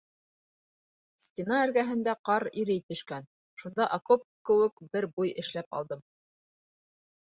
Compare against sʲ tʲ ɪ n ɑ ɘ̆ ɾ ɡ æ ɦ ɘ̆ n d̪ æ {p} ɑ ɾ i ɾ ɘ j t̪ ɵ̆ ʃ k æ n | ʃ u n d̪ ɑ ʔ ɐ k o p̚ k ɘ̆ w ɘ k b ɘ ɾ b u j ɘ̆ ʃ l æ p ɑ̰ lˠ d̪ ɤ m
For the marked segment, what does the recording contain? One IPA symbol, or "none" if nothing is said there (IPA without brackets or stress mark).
q